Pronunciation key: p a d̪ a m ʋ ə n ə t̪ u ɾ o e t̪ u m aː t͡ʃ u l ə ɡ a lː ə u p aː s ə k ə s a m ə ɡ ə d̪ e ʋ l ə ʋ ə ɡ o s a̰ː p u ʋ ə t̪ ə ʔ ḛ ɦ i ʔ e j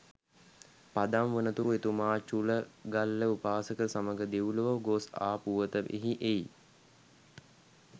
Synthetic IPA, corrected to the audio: p a d̪ a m ʋ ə n ə t̪ u ɾ u e t̪ u m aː t͡ʃ u l ə ɡ a lː ə u p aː s ə k ə s a m ə ɡ ə d̪ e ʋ l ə ʋ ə ɡ o s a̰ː p u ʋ ə t̪ ə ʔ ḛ ɦ i ʔ e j